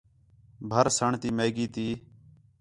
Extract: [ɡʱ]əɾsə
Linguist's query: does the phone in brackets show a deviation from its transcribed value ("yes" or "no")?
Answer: yes